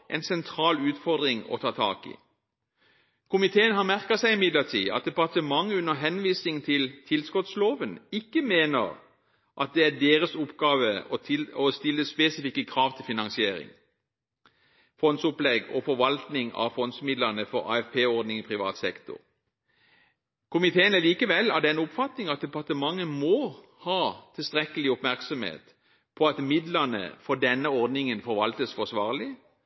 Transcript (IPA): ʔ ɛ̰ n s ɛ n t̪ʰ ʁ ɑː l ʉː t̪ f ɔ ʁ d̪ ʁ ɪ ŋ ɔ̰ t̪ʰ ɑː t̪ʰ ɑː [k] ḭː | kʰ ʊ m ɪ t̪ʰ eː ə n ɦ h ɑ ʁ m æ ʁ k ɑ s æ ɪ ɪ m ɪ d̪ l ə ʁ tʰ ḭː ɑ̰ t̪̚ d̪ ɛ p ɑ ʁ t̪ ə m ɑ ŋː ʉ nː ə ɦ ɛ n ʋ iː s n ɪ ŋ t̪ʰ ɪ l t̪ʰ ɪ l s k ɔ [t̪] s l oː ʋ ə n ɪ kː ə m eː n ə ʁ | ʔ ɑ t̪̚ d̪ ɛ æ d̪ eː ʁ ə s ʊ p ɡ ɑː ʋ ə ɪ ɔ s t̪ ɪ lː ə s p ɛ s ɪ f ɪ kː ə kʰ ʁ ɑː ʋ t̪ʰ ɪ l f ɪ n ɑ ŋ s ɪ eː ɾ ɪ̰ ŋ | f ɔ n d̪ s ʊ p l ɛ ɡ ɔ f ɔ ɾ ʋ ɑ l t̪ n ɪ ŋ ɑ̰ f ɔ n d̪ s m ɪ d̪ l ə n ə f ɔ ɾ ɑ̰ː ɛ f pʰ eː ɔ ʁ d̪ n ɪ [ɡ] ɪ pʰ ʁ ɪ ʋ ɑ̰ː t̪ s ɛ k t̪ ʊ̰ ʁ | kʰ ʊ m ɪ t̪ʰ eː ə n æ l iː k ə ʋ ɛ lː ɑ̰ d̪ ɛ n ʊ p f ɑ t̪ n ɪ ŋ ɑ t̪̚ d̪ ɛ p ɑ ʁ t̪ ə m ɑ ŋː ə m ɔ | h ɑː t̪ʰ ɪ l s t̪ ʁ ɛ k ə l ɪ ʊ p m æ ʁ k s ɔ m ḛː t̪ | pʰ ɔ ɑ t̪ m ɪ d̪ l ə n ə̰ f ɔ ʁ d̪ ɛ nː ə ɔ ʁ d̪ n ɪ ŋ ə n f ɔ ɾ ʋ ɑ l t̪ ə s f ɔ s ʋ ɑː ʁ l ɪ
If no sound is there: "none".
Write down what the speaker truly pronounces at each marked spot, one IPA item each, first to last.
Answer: k, t̪, ŋ

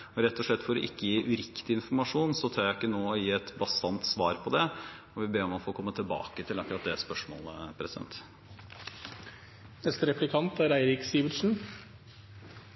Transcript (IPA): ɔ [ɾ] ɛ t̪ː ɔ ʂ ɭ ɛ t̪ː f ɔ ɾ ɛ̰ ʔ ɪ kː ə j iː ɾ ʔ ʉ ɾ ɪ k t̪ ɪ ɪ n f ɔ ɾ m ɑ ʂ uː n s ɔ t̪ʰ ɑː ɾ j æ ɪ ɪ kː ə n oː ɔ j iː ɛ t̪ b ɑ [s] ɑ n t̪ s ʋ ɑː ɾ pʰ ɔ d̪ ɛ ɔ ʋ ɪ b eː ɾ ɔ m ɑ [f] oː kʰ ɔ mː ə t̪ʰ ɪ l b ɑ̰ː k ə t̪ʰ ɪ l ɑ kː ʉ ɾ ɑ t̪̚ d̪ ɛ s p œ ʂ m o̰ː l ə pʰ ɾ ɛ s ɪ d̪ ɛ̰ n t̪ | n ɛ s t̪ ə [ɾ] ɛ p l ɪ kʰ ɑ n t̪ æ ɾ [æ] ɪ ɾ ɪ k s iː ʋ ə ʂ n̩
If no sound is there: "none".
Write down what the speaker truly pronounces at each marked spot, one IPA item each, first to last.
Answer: ɾ, s, f, ɾ, æ

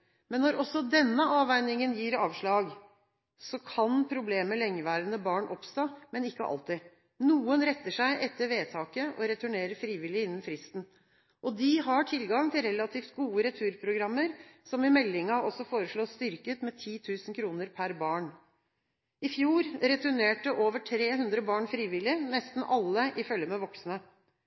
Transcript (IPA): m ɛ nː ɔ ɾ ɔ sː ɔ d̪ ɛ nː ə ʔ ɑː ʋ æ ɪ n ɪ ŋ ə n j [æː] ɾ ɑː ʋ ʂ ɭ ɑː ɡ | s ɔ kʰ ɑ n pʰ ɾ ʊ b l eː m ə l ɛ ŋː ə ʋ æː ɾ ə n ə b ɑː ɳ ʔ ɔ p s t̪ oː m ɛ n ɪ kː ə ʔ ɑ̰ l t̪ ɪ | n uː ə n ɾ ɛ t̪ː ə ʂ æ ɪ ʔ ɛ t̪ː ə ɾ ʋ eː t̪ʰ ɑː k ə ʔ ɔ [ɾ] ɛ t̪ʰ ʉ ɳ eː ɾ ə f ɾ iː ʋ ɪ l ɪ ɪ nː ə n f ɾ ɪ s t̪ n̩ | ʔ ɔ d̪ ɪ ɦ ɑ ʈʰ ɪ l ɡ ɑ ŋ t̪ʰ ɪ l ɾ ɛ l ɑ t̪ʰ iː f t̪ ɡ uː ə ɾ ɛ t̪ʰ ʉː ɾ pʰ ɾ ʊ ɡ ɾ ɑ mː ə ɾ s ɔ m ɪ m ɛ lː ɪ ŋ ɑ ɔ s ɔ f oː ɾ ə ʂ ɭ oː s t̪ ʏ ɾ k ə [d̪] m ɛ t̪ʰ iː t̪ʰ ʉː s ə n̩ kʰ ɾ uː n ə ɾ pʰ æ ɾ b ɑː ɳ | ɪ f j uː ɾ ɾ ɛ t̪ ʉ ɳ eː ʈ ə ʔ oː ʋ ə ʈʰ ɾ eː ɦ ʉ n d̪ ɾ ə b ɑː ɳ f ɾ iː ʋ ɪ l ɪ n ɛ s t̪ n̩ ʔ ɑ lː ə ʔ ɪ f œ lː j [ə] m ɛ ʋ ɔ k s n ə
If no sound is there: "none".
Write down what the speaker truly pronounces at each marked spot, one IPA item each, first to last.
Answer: iː, ɾ, t̪, ə

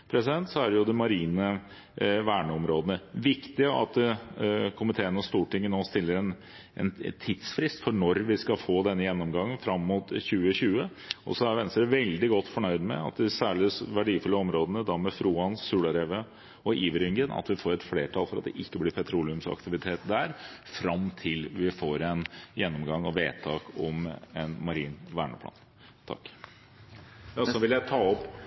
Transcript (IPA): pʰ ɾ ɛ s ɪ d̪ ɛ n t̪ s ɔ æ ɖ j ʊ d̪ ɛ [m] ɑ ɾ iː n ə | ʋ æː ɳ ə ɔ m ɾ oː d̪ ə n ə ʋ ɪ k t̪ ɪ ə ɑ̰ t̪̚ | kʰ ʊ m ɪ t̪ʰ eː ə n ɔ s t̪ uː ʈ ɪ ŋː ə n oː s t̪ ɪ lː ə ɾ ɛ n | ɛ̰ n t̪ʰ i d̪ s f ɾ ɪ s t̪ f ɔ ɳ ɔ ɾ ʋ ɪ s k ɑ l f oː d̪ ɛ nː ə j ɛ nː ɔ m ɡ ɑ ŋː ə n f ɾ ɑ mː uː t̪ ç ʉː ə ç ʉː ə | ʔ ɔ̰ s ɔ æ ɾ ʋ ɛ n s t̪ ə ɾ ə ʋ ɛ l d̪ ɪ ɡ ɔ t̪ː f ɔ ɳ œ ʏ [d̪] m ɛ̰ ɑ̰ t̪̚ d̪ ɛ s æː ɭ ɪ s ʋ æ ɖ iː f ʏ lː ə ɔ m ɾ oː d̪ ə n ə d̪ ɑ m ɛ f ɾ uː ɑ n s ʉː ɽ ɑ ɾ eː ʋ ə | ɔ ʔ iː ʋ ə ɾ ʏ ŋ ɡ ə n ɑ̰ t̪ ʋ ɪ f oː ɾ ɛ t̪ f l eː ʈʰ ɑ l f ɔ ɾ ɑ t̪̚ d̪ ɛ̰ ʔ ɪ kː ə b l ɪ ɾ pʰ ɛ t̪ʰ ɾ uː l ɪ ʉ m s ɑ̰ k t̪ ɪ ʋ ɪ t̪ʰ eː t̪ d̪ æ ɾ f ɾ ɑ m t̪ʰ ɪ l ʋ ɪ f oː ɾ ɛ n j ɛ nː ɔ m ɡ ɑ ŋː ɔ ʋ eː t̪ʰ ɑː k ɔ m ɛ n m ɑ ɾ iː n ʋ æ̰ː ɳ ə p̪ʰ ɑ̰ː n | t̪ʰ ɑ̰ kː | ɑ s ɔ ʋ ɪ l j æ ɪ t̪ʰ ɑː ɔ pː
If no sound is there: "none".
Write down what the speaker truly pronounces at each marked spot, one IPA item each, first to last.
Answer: m, d̪

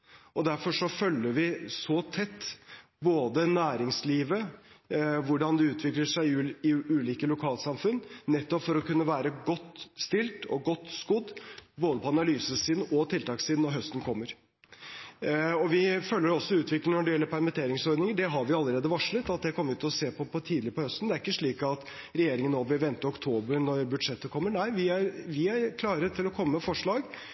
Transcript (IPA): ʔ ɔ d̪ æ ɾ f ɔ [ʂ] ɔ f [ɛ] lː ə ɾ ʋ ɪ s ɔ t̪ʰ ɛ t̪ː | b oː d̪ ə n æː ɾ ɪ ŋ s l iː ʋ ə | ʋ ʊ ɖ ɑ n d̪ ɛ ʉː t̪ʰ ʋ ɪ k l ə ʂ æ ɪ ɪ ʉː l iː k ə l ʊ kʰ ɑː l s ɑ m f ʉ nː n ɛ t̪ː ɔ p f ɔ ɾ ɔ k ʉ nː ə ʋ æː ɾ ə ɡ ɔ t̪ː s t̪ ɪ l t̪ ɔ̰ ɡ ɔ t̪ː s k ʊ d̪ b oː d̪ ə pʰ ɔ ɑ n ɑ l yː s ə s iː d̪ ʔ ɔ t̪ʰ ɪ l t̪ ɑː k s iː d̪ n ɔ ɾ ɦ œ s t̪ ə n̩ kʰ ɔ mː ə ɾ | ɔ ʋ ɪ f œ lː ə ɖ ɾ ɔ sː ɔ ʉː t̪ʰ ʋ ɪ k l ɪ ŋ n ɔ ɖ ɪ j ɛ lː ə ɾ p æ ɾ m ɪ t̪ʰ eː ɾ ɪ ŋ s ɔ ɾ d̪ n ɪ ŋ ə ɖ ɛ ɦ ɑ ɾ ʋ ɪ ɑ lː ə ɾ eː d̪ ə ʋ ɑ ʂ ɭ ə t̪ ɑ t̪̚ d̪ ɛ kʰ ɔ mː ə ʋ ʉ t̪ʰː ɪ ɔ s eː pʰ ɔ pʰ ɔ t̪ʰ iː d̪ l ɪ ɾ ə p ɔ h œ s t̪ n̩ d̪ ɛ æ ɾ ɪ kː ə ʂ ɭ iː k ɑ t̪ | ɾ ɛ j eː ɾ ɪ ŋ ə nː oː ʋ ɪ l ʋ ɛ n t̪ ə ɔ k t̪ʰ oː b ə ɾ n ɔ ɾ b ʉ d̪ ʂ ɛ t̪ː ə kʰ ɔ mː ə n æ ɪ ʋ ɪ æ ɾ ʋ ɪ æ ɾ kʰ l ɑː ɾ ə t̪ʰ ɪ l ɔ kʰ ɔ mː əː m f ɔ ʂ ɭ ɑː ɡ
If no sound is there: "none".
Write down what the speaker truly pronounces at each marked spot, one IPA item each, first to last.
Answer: ʂ, œ

